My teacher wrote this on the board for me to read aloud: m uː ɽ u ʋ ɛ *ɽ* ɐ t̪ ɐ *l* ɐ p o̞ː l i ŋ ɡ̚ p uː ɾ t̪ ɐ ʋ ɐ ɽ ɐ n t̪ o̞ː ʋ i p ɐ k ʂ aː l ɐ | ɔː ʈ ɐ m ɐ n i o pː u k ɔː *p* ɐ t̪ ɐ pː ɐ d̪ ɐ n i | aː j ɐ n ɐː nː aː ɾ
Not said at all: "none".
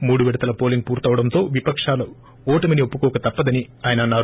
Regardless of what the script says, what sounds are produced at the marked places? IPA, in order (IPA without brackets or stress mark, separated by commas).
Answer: ɽ, l, k